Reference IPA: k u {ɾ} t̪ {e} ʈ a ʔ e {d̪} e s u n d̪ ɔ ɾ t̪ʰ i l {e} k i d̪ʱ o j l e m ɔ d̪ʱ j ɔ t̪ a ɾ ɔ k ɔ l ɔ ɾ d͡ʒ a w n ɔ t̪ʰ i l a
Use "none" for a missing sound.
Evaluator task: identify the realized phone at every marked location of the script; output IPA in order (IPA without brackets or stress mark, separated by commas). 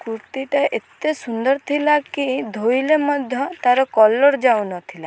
ɾ, i, t̪, a